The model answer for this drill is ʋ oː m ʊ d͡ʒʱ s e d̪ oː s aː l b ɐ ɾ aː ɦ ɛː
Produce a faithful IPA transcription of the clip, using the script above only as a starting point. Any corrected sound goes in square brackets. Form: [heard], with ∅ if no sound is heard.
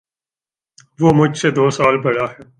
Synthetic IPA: ʋ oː m ʊ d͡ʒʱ s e d̪ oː s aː l b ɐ [ɽ] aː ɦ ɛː